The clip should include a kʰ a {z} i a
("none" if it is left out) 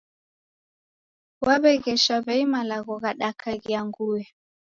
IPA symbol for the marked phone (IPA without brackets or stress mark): ɣ